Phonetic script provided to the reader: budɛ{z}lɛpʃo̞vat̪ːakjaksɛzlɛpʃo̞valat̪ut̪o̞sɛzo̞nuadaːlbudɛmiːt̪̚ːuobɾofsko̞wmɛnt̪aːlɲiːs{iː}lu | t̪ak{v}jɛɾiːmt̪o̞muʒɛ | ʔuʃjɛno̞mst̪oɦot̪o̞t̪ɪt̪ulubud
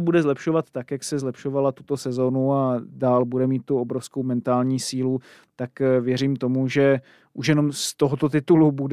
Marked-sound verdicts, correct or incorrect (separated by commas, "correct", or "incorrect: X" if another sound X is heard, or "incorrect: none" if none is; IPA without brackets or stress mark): correct, correct, correct